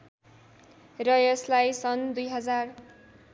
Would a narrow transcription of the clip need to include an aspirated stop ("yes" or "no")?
no